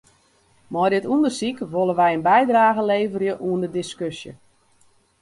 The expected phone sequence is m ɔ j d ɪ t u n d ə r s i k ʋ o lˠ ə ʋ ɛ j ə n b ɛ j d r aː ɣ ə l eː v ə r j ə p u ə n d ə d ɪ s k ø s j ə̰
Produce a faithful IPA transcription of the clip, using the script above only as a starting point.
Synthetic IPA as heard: m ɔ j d ɪ t u n d ə r s i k ʋ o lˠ ə ʋ ɛ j ə n b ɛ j d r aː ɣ ə l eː v ə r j ə ʔ u ə n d ə d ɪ s k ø s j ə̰